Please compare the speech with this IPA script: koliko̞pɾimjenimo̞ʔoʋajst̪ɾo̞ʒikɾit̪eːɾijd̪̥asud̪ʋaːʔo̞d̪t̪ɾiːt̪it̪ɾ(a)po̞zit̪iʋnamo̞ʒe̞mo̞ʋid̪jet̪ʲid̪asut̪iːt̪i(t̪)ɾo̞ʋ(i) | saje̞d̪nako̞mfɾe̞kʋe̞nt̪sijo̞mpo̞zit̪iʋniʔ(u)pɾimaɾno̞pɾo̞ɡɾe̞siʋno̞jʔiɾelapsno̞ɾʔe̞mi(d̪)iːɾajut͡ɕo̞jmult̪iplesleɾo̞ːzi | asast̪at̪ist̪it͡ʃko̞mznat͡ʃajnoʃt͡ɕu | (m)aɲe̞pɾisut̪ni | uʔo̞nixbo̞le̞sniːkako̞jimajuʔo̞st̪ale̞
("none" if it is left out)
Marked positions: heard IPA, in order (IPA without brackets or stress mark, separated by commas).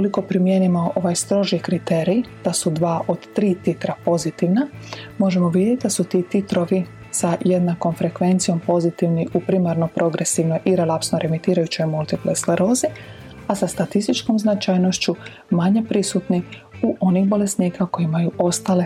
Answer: a, t̪, i, u, t̪, m